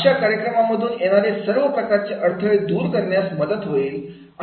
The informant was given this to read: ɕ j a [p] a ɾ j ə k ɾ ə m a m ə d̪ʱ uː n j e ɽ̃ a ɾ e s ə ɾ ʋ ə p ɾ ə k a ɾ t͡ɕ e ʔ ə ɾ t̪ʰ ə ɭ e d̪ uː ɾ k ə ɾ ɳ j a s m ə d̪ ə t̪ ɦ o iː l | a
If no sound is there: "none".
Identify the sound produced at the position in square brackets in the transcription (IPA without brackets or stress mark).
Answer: k